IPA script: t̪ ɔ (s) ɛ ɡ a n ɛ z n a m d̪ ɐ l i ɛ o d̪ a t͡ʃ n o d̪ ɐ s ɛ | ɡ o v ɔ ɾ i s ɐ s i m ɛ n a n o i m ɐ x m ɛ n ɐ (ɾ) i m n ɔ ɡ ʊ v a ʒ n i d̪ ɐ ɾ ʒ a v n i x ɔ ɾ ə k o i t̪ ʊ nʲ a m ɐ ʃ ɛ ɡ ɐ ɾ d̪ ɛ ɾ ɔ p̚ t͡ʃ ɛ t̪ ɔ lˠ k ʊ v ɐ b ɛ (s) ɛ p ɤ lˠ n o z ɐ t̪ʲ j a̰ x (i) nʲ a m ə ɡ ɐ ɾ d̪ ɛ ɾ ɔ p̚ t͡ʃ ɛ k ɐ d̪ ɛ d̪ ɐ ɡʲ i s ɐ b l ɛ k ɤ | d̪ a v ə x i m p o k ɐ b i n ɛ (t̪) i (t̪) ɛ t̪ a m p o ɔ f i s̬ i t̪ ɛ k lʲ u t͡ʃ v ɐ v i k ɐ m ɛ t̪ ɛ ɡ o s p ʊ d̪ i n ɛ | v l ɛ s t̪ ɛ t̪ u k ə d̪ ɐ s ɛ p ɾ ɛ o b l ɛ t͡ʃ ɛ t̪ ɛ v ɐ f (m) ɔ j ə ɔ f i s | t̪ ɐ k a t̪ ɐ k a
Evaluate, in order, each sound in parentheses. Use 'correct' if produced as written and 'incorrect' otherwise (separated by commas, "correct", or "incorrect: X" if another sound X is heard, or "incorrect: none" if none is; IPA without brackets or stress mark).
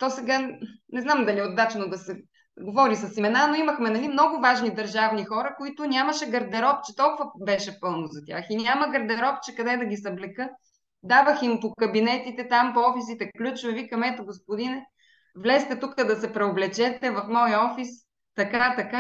correct, incorrect: l, incorrect: ʃ, correct, correct, correct, correct